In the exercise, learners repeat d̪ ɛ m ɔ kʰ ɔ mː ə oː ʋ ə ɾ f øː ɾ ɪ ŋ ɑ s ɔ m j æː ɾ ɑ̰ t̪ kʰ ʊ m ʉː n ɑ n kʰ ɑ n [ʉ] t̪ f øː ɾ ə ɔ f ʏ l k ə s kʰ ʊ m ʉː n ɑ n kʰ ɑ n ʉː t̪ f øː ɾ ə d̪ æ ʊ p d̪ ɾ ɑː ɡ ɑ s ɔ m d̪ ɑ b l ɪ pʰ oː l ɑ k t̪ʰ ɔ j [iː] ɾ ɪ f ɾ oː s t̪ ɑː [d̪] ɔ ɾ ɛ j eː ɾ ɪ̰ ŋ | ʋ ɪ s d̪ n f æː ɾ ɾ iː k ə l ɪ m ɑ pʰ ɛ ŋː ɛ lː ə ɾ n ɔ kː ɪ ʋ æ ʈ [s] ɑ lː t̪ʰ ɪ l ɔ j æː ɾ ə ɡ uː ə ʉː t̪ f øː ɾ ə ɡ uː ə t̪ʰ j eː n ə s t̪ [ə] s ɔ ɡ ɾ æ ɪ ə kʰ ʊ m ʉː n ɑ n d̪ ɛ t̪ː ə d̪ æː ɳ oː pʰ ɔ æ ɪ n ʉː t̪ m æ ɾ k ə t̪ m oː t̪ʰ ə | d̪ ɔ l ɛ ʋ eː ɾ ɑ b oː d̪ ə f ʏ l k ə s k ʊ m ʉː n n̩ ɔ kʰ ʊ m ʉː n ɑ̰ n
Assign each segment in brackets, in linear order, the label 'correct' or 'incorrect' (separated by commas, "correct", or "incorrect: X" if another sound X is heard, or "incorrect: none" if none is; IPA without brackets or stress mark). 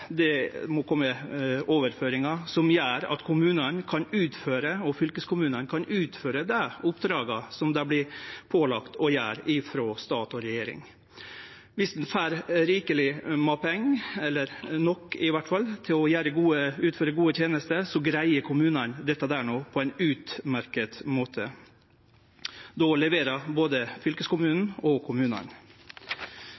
incorrect: ʉː, incorrect: æː, incorrect: t̪, incorrect: f, correct